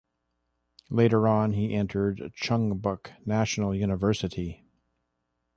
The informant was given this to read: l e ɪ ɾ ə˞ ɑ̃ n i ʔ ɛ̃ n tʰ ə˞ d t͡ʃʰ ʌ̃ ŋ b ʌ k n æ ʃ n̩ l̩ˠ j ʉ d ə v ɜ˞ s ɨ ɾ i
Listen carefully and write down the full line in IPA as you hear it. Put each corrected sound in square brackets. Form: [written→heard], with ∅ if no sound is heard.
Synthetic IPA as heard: l e ɪ ɾ ə˞ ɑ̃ n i ʔ ɛ̃ n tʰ ə˞ d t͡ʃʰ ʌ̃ ŋ b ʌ k n æ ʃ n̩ l̩ˠ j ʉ [d→n] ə v ɜ˞ s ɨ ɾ i